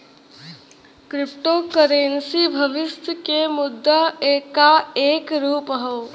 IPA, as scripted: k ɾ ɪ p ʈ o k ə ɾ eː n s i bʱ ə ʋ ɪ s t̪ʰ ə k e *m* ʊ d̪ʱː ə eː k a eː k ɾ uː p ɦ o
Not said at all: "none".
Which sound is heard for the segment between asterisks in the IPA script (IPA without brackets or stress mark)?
m